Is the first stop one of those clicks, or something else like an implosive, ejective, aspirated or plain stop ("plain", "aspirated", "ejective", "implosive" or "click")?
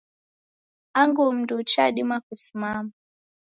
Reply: plain